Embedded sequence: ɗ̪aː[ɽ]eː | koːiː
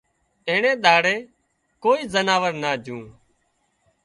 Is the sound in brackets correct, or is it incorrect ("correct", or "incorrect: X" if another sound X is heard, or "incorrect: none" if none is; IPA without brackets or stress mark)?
correct